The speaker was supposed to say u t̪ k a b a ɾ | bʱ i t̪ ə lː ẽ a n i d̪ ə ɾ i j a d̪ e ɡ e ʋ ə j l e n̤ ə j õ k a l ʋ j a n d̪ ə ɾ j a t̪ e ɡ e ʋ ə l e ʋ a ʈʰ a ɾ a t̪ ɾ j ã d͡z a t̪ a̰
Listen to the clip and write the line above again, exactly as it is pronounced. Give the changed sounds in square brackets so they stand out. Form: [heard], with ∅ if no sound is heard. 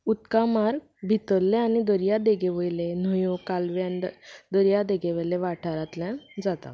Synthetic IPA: u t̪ k a [m] a ɾ | bʱ i t̪ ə lː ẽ a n i d̪ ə ɾ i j a d̪ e ɡ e ʋ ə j l e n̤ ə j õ k a l ʋ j a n d̪ ə ɾ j a [d̪] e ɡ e ʋ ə l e ʋ a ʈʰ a ɾ a t̪ [l] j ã d͡z a t̪ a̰